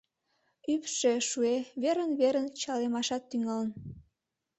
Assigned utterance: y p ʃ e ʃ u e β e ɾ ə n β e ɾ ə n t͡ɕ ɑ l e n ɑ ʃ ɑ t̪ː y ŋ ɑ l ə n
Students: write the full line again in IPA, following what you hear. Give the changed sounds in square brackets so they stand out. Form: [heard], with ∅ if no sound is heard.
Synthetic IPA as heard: y p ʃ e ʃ u e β e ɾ ə n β e ɾ ə n t͡ɕ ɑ l e [m] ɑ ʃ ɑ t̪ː y ŋ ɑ l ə n